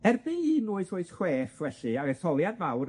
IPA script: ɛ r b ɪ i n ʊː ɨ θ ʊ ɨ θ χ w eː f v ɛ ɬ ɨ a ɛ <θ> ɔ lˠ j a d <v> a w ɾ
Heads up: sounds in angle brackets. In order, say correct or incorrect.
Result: correct, correct

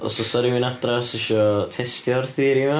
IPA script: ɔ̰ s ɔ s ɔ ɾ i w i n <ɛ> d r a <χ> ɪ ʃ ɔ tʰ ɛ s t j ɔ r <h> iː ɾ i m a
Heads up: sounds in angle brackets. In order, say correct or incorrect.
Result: incorrect, incorrect, incorrect

